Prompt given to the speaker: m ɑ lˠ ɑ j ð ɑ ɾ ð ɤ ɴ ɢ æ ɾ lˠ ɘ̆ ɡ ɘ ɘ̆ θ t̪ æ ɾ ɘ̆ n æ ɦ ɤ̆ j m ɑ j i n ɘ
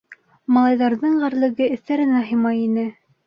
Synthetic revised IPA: m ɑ lˠ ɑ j ð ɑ ɾ ð ɤ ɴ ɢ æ ɾ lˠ ɘ̆ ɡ ɘ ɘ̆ θ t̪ æ ɾ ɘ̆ n æ ɦ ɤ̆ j m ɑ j i n ɘ